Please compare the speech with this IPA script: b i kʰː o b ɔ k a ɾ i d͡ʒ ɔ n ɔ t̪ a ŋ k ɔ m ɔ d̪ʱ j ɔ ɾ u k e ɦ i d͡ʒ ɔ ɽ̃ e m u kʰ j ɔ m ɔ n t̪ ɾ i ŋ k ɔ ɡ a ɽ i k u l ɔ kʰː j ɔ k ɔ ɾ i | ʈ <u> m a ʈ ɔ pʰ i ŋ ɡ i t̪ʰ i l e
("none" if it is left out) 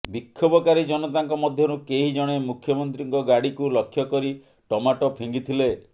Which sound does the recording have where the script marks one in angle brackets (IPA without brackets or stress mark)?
ɔ